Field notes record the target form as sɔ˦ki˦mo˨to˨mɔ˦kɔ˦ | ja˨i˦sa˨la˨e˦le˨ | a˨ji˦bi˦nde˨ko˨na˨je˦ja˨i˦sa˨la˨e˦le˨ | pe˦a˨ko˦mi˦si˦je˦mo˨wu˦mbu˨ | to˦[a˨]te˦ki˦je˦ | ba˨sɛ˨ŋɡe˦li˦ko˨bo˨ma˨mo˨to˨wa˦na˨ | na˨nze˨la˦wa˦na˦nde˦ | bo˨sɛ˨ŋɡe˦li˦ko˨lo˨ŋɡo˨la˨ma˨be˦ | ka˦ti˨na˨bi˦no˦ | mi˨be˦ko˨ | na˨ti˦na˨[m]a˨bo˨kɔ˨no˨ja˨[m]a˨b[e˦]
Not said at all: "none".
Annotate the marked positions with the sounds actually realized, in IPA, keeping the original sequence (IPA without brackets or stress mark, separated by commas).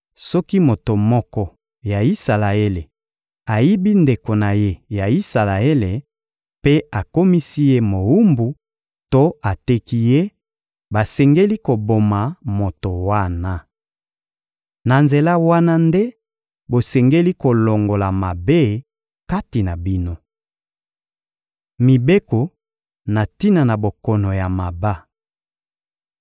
a˨, n, m, a˦